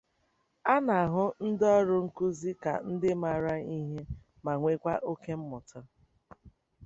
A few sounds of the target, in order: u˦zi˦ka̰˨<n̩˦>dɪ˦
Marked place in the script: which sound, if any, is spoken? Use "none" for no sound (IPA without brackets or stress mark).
n̩˦